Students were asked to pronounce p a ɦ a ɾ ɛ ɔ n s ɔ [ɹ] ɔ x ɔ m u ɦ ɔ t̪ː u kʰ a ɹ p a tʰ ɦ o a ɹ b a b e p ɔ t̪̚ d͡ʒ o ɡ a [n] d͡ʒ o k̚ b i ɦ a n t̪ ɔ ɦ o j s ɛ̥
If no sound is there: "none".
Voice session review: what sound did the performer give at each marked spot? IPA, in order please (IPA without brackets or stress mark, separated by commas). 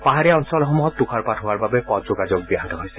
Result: l, none